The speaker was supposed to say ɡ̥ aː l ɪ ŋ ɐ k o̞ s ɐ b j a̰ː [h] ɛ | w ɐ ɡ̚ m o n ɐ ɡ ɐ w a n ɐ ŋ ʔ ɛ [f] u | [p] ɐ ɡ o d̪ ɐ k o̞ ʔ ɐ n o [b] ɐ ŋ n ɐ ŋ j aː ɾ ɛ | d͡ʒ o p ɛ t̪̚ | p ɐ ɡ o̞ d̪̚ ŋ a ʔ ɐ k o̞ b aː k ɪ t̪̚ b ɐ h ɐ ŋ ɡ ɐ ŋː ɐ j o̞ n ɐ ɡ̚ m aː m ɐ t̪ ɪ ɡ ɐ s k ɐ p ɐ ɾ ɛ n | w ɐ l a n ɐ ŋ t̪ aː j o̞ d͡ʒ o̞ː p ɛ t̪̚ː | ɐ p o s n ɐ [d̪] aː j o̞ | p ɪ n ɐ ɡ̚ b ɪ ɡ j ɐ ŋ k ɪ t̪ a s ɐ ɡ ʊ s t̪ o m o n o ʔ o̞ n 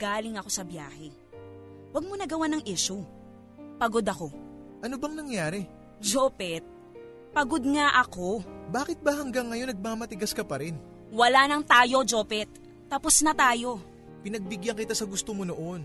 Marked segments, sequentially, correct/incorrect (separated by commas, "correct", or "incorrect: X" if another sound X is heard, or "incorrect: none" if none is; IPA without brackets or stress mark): correct, incorrect: ʃ, correct, correct, incorrect: t̪